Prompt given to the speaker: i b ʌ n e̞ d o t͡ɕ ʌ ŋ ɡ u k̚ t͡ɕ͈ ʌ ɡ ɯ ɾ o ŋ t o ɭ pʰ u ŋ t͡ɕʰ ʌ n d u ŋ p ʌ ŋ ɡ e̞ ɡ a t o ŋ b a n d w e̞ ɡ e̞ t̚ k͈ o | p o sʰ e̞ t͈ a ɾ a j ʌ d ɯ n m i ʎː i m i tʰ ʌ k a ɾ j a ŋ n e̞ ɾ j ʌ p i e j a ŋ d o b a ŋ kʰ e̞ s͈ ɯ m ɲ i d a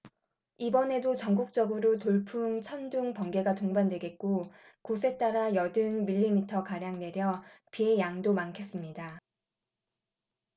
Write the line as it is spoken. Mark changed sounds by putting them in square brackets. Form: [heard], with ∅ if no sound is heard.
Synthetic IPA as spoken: i b ʌ n e̞ d o t͡ɕ ʌ ŋ ɡ u k̚ t͡ɕ͈ ʌ ɡ ɯ ɾ o [∅] t o ɭ pʰ u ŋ t͡ɕʰ ʌ n d u ŋ p ʌ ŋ ɡ e̞ ɡ a t o ŋ b a n d w e̞ ɡ e̞ t̚ k͈ o | [k] o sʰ e̞ t͈ a ɾ a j ʌ d ɯ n m i ʎː i m i tʰ ʌ k a ɾ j a ŋ n e̞ ɾ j ʌ p i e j a ŋ d o [m] a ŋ kʰ e̞ s͈ ɯ m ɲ i d a